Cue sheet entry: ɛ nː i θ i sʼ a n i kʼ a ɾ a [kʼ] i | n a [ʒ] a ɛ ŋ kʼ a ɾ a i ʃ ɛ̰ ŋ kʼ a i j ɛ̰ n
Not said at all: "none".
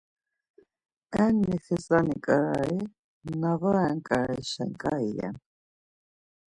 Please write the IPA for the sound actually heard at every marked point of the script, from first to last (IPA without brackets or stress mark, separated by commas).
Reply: none, v